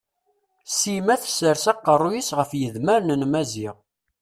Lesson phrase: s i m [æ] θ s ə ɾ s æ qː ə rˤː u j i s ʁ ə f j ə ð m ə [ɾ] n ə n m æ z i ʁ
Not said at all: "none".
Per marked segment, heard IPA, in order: æ, ɾ

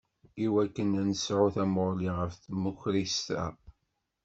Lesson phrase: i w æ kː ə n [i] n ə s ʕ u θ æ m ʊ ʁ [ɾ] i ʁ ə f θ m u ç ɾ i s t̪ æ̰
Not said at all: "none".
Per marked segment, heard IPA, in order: æ, l

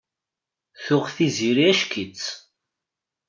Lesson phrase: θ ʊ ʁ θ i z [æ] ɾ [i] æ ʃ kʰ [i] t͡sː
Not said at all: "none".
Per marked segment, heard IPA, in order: i, i, i

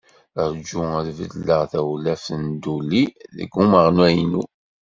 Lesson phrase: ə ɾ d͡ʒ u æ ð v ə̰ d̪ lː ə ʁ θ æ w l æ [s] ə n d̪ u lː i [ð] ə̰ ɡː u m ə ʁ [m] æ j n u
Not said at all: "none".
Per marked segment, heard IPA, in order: f, ð, n

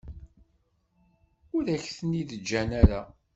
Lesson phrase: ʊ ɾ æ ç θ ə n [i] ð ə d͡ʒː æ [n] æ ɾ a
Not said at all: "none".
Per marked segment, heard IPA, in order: i, n

